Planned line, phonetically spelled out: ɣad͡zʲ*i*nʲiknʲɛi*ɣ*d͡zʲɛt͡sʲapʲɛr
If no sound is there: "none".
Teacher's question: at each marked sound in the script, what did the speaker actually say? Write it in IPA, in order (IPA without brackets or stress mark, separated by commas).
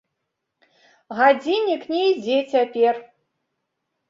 i, none